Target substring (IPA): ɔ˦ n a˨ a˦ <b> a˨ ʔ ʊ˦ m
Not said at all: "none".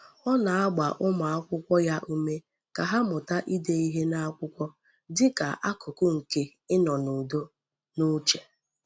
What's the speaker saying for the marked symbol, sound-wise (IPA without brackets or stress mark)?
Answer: ɡ͡b